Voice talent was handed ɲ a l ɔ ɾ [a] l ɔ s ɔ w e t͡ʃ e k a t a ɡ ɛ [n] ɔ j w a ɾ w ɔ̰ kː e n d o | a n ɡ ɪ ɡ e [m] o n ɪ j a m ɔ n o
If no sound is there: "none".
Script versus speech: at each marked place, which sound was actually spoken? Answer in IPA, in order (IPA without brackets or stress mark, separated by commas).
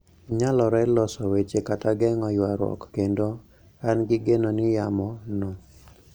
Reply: ɛ, ŋ, n